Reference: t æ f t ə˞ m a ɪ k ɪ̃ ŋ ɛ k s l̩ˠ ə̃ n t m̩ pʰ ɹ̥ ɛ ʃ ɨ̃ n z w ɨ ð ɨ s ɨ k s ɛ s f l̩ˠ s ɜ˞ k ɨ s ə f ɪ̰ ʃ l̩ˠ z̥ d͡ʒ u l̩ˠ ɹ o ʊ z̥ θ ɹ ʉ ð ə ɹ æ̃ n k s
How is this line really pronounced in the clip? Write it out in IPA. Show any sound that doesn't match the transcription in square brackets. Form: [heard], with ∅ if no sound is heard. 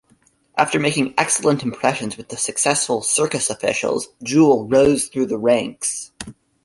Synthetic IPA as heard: [ʔ] æ f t ə˞ m [e] ɪ k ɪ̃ ŋ ɛ k s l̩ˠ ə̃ n t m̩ pʰ ɹ̥ ɛ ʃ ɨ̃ n z w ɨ ð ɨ s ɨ k s ɛ s f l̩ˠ s ɜ˞ k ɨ s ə f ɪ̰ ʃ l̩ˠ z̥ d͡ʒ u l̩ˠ ɹ o ʊ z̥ θ ɹ ʉ ð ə ɹ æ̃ [ŋ] k s